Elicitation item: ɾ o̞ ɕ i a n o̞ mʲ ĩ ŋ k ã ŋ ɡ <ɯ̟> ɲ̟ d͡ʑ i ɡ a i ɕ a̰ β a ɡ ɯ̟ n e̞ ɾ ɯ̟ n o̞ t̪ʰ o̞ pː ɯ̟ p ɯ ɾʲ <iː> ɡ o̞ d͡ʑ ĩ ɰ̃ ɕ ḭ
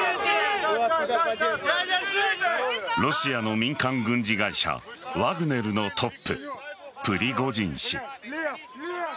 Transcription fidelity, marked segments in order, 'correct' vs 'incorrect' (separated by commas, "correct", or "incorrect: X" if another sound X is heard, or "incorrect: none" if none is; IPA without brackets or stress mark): incorrect: ɯ̟̃, incorrect: i